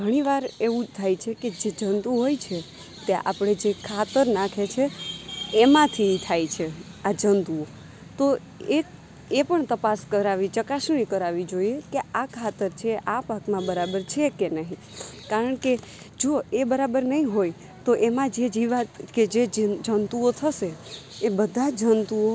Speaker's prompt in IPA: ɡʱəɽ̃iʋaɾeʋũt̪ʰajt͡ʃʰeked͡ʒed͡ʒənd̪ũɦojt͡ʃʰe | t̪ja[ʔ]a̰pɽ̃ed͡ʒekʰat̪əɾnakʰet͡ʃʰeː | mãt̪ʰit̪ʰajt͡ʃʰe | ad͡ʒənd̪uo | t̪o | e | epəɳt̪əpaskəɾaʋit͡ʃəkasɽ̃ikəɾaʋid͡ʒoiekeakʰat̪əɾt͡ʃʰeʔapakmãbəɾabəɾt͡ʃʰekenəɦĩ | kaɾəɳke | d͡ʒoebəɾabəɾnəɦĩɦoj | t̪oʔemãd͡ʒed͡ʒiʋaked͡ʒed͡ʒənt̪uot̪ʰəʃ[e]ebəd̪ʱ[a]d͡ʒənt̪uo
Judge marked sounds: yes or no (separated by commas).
yes, yes, yes